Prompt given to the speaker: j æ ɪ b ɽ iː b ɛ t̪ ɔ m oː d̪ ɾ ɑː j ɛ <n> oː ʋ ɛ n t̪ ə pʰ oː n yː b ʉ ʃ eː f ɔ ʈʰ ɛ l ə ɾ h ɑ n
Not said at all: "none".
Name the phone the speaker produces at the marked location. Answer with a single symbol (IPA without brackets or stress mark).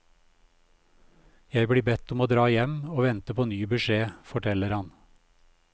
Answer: m